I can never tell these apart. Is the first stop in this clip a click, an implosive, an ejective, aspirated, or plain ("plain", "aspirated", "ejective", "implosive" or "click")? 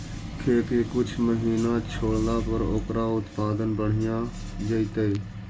aspirated